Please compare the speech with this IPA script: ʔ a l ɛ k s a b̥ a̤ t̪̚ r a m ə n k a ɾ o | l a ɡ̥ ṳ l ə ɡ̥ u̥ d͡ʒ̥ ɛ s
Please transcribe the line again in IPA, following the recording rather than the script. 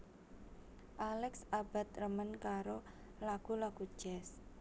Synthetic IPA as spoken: ʔ a l ɛ k s a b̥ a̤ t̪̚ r ə m ə n k a ɾ o | l a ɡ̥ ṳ l a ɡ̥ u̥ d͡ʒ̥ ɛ s